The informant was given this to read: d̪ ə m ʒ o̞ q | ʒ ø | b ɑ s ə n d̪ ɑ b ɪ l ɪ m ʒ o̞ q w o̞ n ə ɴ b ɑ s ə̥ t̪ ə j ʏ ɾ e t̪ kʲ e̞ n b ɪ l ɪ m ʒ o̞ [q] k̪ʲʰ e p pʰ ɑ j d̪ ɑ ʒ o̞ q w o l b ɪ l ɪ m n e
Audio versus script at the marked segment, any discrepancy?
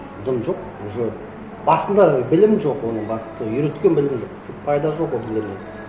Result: no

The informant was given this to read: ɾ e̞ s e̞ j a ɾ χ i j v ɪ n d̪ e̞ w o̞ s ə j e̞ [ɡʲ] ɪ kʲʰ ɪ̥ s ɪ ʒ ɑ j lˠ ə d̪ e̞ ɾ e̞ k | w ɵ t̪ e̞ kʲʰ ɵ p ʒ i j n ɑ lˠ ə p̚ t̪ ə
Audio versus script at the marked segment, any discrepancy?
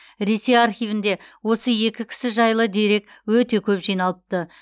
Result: yes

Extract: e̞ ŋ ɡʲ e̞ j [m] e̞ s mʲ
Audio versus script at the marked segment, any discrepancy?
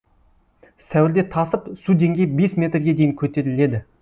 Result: yes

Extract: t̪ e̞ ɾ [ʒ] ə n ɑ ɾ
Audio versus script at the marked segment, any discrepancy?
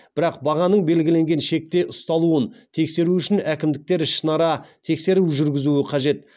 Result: yes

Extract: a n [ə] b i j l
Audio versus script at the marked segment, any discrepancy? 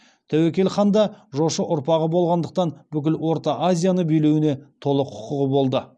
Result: no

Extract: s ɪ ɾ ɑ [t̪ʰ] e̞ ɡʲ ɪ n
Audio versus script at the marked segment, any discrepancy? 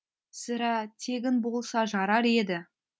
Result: no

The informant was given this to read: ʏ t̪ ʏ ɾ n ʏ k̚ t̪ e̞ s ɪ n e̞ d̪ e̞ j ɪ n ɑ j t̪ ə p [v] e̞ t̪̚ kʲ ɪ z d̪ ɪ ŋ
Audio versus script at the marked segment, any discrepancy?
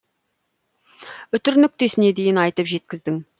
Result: yes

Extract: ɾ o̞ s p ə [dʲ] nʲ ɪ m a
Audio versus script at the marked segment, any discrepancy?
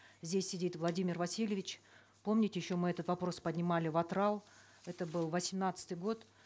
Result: no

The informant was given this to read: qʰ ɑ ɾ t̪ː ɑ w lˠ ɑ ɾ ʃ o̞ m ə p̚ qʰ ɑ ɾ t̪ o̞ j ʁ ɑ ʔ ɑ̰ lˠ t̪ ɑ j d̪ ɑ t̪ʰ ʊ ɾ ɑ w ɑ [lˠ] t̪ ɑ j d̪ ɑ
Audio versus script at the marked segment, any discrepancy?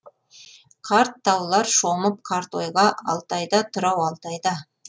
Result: no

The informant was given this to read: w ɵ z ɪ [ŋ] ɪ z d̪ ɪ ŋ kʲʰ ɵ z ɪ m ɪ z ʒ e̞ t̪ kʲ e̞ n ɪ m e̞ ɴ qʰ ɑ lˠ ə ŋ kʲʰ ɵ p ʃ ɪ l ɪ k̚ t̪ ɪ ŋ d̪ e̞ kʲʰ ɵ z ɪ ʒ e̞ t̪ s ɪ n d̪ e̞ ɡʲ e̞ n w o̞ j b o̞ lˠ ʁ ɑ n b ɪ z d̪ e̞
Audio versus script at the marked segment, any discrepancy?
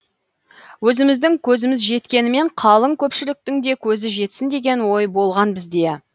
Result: yes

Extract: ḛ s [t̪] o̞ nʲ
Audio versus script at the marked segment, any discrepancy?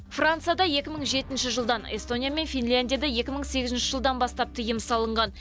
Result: no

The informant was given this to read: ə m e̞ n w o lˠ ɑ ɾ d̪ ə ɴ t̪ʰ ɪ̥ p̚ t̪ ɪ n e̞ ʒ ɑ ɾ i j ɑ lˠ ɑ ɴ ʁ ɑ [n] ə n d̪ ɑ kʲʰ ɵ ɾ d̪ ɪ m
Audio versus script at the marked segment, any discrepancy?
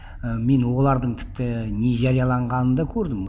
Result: no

